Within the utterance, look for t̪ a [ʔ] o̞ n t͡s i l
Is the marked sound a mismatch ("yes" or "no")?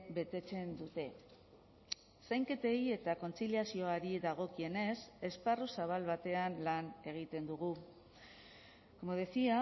yes